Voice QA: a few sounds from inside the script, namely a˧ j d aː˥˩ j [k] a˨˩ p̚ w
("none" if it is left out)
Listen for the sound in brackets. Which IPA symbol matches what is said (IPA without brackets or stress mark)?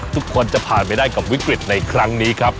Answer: k